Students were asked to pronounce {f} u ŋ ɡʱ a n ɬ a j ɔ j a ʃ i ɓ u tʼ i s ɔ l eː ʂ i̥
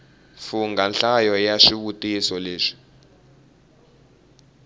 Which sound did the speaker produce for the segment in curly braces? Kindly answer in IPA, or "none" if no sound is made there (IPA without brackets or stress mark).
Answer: f